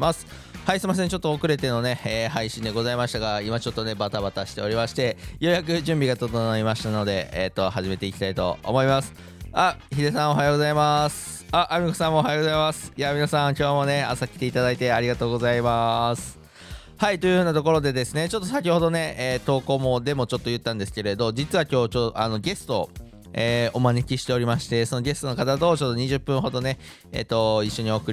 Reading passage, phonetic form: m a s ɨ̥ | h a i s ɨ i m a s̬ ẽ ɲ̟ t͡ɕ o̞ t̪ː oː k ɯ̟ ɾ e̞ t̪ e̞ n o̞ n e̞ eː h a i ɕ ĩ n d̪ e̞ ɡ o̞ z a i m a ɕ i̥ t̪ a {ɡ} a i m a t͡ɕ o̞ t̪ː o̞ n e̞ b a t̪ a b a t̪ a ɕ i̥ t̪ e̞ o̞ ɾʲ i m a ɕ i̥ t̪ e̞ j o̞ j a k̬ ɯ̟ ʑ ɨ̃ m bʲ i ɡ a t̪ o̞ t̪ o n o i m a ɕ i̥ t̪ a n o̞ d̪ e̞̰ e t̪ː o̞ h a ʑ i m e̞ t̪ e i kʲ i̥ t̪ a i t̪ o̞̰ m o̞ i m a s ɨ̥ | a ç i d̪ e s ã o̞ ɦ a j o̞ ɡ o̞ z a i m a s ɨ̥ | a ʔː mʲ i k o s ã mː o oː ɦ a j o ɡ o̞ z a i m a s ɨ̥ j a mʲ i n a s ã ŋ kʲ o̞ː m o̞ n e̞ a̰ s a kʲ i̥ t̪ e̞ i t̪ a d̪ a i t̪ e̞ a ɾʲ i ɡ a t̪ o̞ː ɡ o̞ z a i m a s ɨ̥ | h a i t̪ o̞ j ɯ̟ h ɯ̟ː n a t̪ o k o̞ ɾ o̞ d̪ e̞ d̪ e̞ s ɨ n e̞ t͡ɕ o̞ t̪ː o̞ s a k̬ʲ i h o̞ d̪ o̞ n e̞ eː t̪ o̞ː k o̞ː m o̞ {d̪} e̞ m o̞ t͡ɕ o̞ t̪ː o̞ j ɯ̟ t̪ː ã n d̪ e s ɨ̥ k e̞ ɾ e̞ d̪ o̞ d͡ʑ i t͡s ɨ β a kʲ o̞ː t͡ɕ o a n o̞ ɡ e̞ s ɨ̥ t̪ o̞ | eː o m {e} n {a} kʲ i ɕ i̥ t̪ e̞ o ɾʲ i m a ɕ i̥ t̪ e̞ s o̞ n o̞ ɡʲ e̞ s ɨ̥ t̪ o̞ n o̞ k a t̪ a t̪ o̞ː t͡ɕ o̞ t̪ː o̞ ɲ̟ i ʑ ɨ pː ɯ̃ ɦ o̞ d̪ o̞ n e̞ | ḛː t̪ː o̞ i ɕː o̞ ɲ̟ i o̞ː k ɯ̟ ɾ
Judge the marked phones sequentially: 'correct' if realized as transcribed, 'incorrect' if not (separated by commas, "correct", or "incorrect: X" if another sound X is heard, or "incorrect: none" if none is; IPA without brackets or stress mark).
correct, correct, incorrect: a, incorrect: e